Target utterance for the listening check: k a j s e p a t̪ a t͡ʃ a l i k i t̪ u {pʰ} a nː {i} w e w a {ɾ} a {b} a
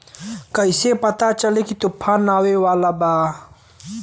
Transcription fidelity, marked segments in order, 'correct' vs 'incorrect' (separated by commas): correct, incorrect, incorrect, correct